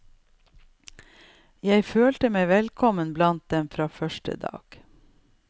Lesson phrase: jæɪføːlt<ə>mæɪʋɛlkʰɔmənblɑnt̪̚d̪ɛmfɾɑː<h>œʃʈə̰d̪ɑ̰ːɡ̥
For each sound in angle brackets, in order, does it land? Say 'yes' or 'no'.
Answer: yes, no

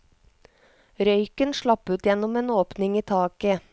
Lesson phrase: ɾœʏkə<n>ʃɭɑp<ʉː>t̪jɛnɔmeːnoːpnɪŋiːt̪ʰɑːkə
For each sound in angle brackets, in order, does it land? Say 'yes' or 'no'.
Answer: yes, yes

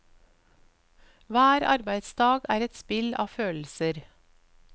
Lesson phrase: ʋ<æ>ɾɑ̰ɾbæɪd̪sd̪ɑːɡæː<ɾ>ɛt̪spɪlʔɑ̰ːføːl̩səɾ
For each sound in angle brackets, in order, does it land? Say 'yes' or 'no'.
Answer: no, yes

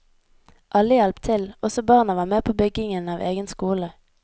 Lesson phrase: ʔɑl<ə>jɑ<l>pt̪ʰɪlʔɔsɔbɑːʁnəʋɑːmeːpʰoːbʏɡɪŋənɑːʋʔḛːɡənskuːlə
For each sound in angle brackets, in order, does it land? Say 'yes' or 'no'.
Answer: yes, yes

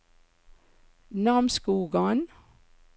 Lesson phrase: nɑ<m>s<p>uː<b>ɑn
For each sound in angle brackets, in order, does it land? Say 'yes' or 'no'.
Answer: yes, no, no

